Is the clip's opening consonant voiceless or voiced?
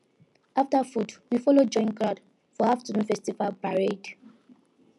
voiceless